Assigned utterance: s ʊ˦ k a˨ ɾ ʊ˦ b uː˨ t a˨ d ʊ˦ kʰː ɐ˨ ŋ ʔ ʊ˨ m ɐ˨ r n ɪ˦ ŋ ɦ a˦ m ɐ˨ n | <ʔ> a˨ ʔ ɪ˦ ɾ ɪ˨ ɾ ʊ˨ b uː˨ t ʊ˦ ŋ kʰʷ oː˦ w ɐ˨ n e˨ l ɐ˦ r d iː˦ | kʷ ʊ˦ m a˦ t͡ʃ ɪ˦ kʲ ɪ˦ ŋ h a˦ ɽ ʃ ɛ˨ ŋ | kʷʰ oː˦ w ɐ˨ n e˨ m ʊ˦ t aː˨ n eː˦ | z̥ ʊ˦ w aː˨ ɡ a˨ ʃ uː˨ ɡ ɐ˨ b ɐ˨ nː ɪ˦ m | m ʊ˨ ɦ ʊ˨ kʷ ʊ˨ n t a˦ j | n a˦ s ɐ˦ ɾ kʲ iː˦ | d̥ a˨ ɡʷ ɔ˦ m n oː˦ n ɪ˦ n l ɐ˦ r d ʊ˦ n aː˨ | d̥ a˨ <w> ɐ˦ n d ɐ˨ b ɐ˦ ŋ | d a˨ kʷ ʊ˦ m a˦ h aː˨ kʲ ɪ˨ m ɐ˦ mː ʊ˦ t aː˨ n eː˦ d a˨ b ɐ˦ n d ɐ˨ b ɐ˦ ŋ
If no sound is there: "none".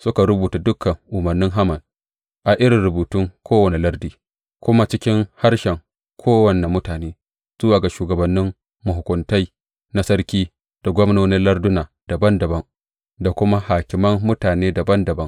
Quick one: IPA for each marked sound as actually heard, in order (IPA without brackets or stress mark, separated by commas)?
ʔ, b